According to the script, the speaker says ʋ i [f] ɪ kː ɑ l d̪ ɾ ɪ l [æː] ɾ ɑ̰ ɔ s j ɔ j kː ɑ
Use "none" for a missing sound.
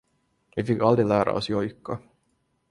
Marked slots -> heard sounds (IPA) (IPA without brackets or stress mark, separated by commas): f, æː